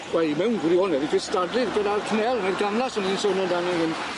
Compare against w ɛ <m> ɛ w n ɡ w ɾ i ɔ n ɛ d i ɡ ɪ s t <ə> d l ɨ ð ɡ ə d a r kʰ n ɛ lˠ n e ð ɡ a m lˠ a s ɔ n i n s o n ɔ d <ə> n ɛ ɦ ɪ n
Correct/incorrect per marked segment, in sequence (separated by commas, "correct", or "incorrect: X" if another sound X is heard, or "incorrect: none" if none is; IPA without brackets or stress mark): correct, incorrect: a, incorrect: a